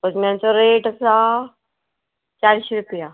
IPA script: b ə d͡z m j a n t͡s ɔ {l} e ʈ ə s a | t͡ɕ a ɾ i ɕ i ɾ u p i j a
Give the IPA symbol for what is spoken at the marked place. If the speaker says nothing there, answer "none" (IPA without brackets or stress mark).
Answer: ɾ